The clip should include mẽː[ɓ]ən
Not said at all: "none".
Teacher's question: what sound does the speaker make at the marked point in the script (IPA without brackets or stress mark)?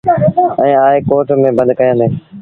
b